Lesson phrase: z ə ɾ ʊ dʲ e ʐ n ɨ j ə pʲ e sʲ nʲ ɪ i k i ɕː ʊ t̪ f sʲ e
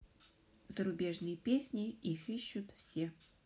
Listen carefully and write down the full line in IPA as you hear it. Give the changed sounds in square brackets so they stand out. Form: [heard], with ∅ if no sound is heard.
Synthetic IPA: z ə ɾ ʊ [bʲ] e ʐ n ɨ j ə pʲ e sʲ nʲ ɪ i [x] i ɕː ʊ t̪ f sʲ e